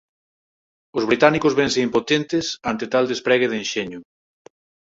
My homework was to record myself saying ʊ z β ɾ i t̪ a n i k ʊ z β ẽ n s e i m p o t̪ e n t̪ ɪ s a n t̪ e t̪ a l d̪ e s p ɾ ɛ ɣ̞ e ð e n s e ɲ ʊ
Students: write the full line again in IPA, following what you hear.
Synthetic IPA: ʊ z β ɾ i t̪ a n i k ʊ z β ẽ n s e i m p o t̪ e n t̪ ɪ s a n t̪ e t̪ a l d̪ e s p ɾ ɛ ɣ̞ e ð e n ʃ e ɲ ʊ